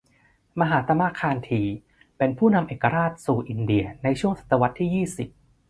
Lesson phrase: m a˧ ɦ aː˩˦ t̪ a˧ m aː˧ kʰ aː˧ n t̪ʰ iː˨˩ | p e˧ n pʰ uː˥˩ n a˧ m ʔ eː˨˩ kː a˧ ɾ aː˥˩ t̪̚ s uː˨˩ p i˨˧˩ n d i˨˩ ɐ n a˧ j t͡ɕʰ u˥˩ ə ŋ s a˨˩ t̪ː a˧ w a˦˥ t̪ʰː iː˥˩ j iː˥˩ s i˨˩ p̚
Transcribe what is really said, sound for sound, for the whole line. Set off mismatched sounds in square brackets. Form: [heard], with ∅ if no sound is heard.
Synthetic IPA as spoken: m a˧ ɦ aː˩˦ t̪ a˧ m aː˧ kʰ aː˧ n t̪ʰ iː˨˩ | p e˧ n pʰ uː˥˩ n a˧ m ʔ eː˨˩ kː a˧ ɾ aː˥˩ t̪̚ s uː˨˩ [ʔ] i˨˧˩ n d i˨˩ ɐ n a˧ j t͡ɕʰ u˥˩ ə ŋ s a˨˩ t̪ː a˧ w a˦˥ t̪ʰː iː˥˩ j iː˥˩ s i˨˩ p̚